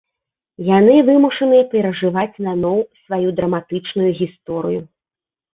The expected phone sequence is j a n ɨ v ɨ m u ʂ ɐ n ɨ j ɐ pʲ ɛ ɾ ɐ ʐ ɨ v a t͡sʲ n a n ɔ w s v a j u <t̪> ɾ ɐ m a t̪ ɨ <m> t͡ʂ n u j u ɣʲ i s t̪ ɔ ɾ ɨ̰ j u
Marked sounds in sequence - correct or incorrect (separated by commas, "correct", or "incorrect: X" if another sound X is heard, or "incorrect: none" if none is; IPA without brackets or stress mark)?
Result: incorrect: d̪, incorrect: none